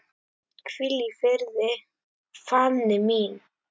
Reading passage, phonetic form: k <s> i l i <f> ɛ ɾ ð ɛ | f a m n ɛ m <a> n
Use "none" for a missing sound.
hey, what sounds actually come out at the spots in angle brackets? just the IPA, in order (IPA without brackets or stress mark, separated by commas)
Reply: f, f, i